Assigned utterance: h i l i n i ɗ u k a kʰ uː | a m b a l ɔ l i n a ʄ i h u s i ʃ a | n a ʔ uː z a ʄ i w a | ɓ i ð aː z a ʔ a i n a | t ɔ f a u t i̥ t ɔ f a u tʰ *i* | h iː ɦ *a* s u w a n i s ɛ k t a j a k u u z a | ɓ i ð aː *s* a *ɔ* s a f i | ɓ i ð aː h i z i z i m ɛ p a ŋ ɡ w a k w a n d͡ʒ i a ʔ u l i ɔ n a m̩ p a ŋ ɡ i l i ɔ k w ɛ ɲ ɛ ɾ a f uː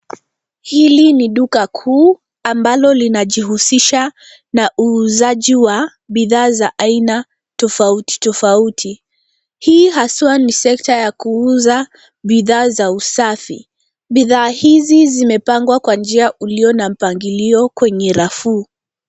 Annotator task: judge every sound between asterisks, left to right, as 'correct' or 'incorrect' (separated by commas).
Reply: correct, correct, incorrect, incorrect